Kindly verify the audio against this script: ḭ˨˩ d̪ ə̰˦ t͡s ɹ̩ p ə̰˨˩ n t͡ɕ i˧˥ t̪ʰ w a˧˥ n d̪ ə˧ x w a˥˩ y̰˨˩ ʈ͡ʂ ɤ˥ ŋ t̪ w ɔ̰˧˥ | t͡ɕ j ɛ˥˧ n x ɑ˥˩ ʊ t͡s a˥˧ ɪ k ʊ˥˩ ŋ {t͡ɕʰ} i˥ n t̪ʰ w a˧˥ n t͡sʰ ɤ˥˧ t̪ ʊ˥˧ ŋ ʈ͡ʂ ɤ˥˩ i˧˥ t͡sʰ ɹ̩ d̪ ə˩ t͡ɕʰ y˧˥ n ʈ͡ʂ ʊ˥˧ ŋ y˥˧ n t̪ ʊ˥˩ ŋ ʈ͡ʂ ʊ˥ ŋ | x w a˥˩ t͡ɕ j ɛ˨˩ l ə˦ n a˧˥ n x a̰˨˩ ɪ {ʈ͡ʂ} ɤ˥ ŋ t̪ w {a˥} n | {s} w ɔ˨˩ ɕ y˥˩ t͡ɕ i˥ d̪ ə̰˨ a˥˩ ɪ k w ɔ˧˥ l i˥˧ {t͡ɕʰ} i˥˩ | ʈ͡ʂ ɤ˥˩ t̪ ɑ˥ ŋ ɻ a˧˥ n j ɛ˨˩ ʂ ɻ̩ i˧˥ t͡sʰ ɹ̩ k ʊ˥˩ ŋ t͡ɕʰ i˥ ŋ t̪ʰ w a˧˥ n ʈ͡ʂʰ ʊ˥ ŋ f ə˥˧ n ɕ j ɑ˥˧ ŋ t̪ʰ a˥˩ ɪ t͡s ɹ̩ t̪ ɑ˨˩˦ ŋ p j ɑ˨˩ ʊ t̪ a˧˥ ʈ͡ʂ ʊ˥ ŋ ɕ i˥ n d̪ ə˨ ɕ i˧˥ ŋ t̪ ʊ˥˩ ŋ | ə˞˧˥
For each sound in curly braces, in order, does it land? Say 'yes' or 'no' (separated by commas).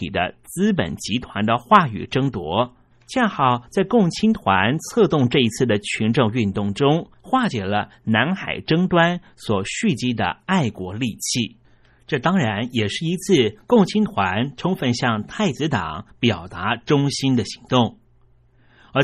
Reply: yes, yes, yes, yes, yes